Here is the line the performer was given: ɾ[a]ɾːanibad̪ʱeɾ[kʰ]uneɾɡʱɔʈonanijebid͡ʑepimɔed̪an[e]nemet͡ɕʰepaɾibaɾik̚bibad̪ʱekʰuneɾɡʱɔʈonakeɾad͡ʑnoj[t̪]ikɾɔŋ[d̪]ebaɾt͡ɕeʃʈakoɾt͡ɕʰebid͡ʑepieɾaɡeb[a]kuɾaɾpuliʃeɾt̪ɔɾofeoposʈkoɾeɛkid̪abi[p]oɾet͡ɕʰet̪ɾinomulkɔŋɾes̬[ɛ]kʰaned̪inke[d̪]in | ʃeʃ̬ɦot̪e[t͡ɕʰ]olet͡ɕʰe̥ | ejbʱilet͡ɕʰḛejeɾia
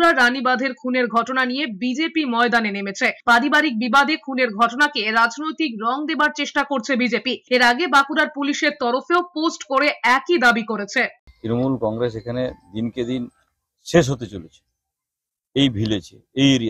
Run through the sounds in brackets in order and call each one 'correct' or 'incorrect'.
correct, correct, correct, correct, correct, correct, incorrect: k, incorrect: e, correct, incorrect: t͡ɕ

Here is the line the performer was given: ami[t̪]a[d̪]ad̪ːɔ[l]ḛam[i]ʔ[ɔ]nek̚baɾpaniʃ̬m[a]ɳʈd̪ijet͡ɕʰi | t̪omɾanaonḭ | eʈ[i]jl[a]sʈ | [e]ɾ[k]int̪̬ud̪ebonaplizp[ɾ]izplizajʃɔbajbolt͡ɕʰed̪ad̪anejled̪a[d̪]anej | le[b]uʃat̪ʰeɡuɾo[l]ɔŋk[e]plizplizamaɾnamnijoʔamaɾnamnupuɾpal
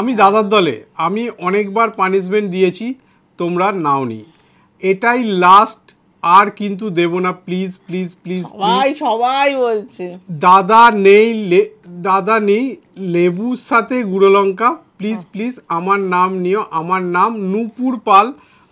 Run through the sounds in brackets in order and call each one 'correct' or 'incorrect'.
incorrect: d̪, correct, correct, correct, correct, incorrect: e, incorrect: a, correct, incorrect: a, correct, incorrect: l, correct, correct, correct, incorrect: a

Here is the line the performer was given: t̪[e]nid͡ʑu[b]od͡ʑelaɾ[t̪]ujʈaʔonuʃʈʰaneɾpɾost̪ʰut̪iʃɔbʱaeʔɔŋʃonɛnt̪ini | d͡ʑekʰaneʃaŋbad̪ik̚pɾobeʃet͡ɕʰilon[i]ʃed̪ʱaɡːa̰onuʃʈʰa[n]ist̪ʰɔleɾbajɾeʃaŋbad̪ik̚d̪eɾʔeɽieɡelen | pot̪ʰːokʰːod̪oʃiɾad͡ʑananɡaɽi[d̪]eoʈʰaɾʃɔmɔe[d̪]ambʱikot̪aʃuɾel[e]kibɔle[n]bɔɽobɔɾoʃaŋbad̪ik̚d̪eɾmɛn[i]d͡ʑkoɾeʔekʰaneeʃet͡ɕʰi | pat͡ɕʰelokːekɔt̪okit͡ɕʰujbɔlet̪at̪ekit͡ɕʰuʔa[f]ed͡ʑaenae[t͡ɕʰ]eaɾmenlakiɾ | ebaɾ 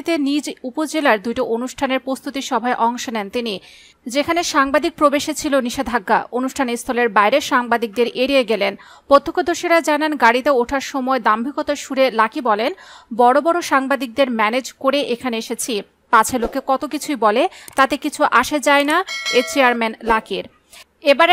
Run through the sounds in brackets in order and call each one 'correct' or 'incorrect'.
correct, incorrect: p, incorrect: d̪, correct, correct, incorrect: t̪, correct, incorrect: a, correct, incorrect: e, incorrect: ʃ, incorrect: t͡ɕ

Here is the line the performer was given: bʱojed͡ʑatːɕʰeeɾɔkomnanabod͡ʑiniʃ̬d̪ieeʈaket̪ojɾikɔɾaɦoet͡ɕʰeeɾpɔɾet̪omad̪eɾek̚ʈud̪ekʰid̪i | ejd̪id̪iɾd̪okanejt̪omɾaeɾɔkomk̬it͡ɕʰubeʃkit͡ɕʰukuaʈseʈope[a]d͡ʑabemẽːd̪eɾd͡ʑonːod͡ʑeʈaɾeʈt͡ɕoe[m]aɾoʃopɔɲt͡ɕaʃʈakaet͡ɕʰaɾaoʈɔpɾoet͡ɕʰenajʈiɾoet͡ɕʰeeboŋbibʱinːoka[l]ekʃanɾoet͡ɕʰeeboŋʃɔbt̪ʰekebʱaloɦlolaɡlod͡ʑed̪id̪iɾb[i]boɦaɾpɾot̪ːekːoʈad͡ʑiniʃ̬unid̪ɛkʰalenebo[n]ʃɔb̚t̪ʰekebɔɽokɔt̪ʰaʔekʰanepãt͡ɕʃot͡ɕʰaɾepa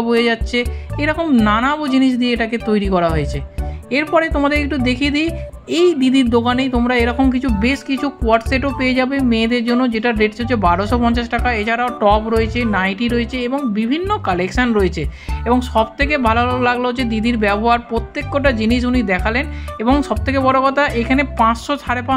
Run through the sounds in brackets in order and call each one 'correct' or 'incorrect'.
incorrect: e, incorrect: b, correct, incorrect: ɛ, incorrect: ŋ

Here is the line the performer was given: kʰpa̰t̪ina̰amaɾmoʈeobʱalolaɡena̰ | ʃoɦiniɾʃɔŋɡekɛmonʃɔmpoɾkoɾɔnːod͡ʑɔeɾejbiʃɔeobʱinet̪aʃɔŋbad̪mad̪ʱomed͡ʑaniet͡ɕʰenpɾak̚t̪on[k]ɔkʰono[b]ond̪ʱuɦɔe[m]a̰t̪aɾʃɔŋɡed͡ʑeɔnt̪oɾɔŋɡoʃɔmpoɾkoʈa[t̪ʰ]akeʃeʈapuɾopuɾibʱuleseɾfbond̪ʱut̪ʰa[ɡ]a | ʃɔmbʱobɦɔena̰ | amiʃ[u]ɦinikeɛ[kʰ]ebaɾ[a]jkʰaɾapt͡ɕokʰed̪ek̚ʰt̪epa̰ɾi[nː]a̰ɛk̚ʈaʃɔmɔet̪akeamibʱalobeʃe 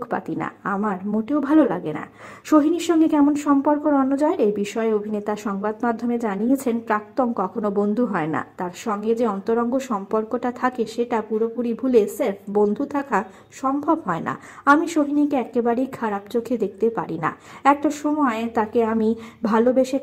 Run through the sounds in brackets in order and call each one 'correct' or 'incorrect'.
correct, correct, incorrect: n, correct, incorrect: k, incorrect: o, incorrect: k, incorrect: e, incorrect: n

